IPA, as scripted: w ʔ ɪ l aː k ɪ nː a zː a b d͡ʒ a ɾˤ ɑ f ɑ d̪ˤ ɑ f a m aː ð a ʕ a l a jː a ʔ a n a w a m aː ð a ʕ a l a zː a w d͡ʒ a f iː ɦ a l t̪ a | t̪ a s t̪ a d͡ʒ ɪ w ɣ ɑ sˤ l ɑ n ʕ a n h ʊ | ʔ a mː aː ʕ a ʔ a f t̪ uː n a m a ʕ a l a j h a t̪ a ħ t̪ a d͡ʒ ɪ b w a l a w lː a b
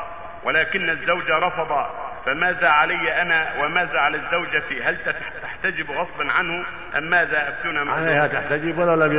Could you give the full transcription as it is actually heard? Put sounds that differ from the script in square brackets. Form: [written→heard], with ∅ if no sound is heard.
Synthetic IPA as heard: w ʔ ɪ l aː k ɪ nː a zː a [b→w] d͡ʒ a ɾˤ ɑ f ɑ d̪ˤ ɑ f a m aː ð a ʕ a l a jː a ʔ a n a w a m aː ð a ʕ a l a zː a w d͡ʒ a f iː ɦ a l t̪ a | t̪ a [s→ħ] t̪ a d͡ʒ ɪ [w→b] ɣ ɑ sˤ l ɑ n ʕ a n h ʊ | ʔ a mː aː [ʕ→ð] a ʔ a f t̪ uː n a m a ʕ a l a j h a t̪ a ħ t̪ a d͡ʒ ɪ b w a l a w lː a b